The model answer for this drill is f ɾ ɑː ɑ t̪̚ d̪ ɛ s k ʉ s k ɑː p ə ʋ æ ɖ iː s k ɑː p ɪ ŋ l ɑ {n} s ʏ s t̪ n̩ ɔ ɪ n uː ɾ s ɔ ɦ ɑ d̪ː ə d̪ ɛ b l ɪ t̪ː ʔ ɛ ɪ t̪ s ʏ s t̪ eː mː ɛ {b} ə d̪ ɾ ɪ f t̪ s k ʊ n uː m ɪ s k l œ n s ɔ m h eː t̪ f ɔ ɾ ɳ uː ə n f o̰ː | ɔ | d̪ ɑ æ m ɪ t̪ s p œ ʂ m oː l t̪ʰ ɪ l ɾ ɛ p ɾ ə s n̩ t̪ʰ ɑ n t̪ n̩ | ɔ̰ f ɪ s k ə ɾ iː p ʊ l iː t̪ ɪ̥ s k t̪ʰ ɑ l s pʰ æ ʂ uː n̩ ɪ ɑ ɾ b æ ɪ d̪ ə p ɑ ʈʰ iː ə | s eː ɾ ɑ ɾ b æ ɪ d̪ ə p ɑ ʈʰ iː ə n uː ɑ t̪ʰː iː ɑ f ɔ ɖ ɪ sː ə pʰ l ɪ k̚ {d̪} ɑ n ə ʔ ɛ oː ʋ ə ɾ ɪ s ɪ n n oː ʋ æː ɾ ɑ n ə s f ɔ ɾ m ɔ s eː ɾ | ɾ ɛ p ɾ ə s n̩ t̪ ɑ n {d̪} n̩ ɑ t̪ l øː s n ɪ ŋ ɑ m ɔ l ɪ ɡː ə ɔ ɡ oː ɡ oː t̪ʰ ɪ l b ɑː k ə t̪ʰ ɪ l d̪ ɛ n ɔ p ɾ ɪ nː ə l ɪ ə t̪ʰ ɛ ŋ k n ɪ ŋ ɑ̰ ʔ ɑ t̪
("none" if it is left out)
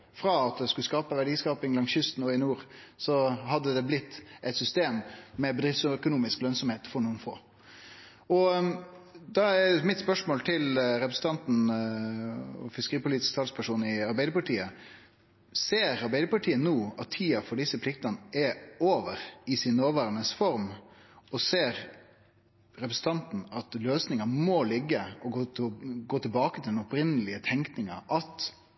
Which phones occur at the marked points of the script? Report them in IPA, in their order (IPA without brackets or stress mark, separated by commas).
ŋ, b, t̪, t̪